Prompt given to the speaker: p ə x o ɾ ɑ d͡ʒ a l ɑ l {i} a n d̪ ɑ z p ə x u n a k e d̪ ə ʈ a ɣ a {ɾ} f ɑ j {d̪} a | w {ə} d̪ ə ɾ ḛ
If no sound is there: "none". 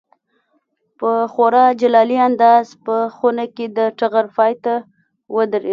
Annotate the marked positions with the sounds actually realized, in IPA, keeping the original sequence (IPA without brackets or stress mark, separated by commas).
i, ɾ, t̪, ə